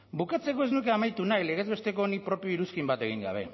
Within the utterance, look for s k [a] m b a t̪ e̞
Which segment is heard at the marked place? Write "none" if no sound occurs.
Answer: i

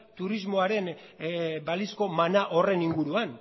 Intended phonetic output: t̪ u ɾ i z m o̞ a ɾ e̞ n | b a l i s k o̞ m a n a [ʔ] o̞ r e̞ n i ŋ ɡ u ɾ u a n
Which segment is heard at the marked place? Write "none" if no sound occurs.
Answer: ʔ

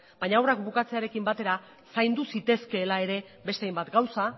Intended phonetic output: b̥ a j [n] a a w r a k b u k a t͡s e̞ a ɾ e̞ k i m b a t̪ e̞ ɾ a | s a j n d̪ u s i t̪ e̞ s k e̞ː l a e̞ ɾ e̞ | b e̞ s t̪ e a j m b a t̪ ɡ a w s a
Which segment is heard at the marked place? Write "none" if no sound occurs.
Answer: ɲ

